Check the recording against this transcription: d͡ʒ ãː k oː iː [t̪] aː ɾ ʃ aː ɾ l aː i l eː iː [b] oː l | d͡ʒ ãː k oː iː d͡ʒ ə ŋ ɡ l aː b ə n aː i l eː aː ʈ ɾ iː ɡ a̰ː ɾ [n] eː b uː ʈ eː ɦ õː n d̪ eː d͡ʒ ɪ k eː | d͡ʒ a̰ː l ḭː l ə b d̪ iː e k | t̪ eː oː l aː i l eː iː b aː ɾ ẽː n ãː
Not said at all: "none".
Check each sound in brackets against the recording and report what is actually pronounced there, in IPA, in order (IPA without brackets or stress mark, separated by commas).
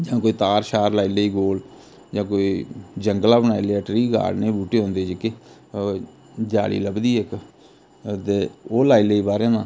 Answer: t̪, ɡ, n